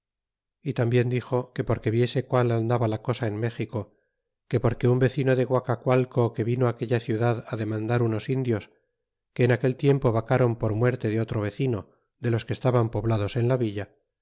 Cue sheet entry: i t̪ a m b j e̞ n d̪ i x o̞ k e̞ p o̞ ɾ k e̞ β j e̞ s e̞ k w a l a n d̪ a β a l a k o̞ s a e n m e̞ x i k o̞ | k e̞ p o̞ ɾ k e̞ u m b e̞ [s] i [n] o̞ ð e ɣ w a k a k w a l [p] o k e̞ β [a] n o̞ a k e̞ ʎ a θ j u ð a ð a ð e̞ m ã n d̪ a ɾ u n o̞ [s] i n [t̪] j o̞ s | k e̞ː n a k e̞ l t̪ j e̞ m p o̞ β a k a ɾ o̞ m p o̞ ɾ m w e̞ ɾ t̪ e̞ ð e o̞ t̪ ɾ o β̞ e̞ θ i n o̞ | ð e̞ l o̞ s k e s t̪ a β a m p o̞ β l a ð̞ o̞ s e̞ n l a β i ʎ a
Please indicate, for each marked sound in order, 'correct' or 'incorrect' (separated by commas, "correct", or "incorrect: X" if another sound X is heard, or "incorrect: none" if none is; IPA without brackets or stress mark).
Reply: incorrect: θ, correct, incorrect: k, incorrect: i, correct, incorrect: d̪